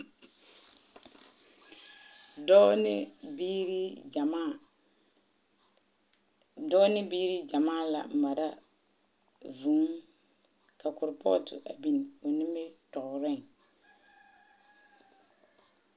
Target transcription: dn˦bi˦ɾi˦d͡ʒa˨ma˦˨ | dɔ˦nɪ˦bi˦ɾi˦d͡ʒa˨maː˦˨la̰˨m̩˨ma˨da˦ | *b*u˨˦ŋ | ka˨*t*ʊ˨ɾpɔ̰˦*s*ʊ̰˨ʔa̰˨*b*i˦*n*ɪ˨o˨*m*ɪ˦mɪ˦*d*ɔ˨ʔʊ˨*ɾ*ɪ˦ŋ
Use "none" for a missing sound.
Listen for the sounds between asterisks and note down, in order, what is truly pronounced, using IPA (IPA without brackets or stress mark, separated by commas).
v, k, t, b, n, n, t, ɾ